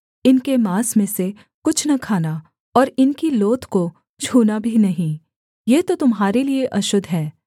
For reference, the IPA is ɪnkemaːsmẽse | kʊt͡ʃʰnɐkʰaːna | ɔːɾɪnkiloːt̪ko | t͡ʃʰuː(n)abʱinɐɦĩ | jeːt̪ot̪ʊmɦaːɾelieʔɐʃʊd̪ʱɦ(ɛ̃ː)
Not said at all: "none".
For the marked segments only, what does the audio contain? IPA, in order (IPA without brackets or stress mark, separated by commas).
n, ɛː